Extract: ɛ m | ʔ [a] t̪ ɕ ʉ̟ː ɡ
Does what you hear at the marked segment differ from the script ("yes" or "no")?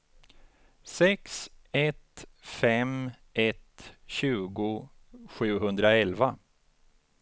yes